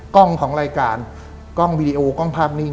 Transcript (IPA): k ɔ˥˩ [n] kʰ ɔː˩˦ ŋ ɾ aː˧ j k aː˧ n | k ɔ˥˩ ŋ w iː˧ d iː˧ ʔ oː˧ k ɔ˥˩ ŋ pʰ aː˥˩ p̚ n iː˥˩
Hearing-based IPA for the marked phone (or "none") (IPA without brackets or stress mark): ŋ